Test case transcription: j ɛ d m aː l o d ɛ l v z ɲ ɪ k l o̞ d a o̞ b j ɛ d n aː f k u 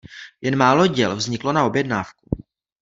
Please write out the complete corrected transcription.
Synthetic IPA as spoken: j ɛ n m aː l o ɟ ɛ l v z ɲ ɪ k l o̞ n a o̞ b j ɛ d n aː f k u